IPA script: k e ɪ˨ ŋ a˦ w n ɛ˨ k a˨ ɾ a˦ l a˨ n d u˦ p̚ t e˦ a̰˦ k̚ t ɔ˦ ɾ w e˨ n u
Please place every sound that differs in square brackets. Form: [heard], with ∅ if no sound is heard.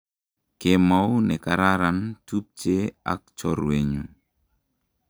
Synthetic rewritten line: k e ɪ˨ [m] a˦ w n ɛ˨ k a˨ ɾ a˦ [ɾ] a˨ n [t] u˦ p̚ [t͡ʃ] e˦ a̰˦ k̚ [t͡ʃ] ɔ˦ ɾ w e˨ [ɲ] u